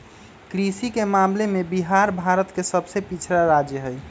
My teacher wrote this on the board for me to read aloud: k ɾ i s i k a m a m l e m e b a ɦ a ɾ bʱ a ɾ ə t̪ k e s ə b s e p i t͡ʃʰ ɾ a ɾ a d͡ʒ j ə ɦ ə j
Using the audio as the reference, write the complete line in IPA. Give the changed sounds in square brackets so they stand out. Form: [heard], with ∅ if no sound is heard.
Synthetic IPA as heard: k ɾ i s i k [e] m a m l e m e b [i] ɦ a ɾ bʱ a ɾ ə t̪ k e s ə b s e p i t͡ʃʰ ɾ a ɾ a d͡ʒ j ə ɦ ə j